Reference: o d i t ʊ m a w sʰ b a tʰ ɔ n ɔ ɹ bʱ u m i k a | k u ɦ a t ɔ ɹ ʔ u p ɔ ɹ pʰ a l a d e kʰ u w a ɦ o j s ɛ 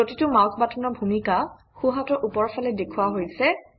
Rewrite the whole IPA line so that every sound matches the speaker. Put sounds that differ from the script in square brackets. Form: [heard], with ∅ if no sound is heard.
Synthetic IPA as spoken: o [t] i t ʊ m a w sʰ b a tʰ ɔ n ɔ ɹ bʱ u m i k a | [x] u ɦ a t ɔ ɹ ʔ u p ɔ ɹ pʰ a l [ɛ] d e kʰ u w a ɦ o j s ɛ

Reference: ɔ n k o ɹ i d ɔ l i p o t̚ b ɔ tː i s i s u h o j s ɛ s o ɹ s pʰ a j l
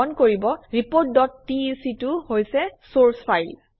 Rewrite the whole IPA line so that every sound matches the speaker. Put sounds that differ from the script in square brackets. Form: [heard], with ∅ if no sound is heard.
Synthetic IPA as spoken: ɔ n k o ɹ i [b] ɔ [ɹ] i p o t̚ [d] ɔ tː i s i [t] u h o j s ɛ s o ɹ s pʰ a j l

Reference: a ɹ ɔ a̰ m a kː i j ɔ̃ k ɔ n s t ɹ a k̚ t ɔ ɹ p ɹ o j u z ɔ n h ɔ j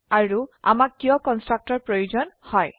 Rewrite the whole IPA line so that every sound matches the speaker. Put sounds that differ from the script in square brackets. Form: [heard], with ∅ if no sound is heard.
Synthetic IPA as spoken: a ɹ [u] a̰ m a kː i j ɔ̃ k ɔ n s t ɹ a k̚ t ɔ ɹ p ɹ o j u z ɔ n h ɔ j

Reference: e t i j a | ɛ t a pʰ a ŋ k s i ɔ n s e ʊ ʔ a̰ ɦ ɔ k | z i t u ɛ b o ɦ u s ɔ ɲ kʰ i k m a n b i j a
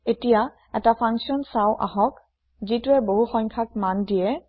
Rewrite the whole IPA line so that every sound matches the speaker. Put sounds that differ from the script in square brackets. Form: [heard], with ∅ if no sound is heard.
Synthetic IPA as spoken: e t i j a | ɛ t a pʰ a ŋ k s i ɔ n s [a] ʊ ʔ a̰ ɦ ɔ k | z i t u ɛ b o ɦ u [x] ɔ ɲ kʰ [a] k m a n [d] i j [ɛ]

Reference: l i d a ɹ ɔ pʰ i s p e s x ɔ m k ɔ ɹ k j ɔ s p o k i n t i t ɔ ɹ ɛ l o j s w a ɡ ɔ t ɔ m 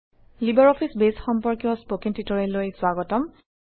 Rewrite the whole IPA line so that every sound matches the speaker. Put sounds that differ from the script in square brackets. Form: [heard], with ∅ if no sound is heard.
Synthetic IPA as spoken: l i [b] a ɹ ɔ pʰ i s [b] e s x ɔ m [p] ɔ ɹ k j ɔ s p o k i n t i t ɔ ɹ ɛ l o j s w a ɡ ɔ t ɔ m

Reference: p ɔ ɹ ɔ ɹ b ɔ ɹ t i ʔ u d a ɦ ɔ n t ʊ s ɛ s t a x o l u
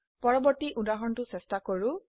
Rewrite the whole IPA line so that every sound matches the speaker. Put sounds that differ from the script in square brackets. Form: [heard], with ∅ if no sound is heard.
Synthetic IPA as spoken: p ɔ ɹ ɔ [∅] b ɔ ɹ t i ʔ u d a ɦ ɔ n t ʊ s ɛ s t a [k] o [ɹ] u

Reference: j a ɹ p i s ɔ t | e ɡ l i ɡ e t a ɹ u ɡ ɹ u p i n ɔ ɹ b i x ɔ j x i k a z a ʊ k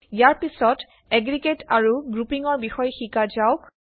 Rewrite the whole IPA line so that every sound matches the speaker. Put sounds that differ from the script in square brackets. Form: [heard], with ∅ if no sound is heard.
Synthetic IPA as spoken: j a ɹ p i s ɔ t | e ɡ [ɹ] i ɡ e t a ɹ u ɡ ɹ u p i [ŋ] ɔ ɹ b i x ɔ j x i k a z a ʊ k

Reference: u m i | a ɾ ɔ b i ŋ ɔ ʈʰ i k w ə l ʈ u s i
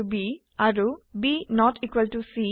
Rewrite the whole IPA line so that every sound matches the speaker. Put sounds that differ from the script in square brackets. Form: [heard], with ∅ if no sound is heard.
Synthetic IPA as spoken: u [b] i | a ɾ [u] b i [n] ɔ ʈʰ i k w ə l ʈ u s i

